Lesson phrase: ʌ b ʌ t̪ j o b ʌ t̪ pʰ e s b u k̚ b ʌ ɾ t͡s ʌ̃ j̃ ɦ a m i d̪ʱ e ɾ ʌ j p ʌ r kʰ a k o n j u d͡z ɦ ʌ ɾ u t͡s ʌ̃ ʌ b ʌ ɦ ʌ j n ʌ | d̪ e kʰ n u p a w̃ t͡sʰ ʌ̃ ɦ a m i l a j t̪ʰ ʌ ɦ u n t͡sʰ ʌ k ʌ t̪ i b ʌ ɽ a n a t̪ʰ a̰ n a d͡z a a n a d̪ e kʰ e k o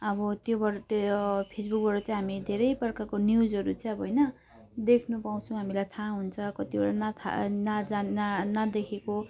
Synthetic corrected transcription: ʌ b ʌ t̪ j o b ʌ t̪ pʰ e s b u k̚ b ʌ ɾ t͡s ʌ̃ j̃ ɦ a m i d̪ʱ e ɾ ʌ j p ʌ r k a k o n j u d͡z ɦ ʌ ɾ u t͡s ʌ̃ ʌ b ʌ ɦ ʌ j n ʌ | d̪ e kʰ n u p a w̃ t͡sʰ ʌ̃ ɦ a m i l a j t̪ʰ a ɦ u n t͡sʰ ʌ k ʌ t̪ i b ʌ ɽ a n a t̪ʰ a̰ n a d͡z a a n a d̪ e kʰ e k o